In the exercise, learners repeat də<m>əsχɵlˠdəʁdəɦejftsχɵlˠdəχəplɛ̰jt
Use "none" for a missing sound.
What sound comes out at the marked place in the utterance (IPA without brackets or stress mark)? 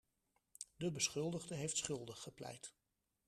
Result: b